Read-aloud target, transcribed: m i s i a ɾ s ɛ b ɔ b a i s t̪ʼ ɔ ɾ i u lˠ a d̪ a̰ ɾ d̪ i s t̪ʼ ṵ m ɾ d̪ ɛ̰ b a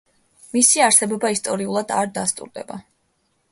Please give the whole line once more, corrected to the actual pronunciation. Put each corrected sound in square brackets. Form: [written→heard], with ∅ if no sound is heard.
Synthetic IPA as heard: m i s i a ɾ s ɛ b ɔ b a i s t̪ʼ ɔ ɾ i u lˠ a d̪ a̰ ɾ d̪ [i→a] s t̪ʼ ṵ [m→∅] ɾ d̪ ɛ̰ b a